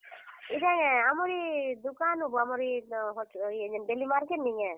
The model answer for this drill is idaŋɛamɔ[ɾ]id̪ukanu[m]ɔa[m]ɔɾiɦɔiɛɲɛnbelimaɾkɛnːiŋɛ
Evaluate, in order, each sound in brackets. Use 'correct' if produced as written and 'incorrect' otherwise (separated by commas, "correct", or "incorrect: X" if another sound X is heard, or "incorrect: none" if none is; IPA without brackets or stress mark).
correct, incorrect: b, correct